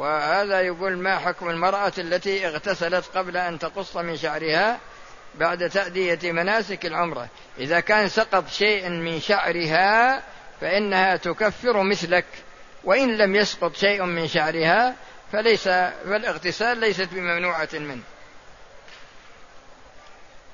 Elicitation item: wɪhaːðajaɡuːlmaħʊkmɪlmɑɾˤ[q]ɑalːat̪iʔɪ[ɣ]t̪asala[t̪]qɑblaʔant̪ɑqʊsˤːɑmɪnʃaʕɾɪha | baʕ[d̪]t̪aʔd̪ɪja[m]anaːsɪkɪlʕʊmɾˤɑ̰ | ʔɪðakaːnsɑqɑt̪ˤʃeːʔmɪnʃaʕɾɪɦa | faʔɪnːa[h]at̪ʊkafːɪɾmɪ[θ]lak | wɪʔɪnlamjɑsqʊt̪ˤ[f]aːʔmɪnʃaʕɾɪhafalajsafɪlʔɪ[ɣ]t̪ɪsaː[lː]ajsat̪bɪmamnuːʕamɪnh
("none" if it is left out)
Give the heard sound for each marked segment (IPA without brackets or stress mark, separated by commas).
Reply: ʔ, ɣ, t̪, d̪, m, h, θ, ʃ, ɣ, lː